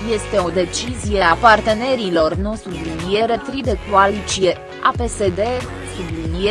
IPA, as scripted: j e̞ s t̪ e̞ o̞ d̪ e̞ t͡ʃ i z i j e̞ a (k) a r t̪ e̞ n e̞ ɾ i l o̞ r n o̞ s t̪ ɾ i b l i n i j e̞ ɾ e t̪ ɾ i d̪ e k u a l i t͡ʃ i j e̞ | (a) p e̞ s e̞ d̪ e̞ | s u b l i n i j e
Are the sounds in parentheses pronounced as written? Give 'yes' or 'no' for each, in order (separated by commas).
no, yes